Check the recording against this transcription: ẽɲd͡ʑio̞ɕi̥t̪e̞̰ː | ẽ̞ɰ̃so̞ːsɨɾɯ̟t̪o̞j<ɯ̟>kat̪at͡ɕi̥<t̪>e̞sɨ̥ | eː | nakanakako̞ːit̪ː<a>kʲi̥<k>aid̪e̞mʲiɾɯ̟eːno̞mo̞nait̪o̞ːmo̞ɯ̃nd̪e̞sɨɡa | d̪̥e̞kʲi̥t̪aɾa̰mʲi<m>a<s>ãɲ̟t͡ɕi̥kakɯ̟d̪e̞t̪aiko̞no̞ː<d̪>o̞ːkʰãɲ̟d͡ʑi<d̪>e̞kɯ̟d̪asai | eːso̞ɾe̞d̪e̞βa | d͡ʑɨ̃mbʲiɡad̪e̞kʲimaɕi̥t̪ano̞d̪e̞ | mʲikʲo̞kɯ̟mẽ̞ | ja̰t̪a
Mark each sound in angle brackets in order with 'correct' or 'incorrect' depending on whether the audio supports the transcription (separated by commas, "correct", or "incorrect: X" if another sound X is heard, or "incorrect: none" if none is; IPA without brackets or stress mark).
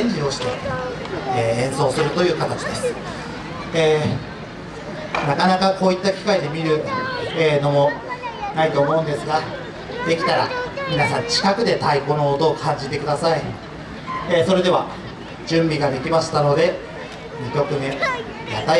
incorrect: ɯ̟ː, incorrect: d̪, correct, correct, incorrect: n, correct, incorrect: t̪, incorrect: t̪